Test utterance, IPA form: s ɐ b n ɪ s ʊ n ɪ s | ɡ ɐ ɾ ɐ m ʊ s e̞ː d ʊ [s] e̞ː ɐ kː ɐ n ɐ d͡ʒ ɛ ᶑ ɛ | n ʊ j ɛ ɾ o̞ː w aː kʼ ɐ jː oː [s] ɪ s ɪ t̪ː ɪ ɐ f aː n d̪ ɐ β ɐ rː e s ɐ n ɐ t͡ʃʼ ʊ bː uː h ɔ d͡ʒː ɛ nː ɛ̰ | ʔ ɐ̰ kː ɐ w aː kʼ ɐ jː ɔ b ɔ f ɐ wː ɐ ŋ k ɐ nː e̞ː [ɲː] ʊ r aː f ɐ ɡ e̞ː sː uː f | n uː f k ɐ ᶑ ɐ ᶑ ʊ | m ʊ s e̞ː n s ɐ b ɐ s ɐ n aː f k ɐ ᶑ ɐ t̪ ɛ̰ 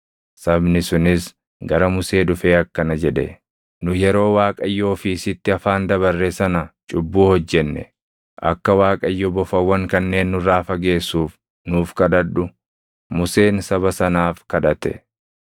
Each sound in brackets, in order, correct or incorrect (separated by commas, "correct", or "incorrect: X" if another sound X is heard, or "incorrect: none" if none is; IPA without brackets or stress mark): incorrect: f, incorrect: f, incorrect: nː